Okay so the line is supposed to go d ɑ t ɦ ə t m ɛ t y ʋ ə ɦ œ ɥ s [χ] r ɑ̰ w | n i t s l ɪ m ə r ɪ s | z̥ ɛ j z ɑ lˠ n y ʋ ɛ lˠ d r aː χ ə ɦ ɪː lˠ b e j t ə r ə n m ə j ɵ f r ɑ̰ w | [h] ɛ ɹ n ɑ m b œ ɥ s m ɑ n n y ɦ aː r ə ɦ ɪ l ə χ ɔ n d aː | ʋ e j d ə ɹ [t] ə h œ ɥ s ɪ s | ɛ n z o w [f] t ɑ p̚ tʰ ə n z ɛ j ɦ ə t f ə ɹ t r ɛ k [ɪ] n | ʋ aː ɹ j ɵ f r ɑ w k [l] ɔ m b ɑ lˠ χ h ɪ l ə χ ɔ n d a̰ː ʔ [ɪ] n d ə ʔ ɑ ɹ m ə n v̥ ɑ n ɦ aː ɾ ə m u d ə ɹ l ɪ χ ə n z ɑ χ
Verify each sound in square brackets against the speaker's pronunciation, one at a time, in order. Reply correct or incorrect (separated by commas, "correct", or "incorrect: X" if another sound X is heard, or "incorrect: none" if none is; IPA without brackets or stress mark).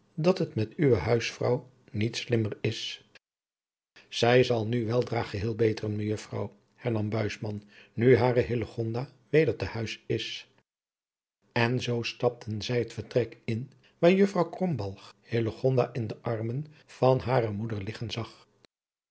incorrect: f, correct, correct, incorrect: s, correct, incorrect: r, correct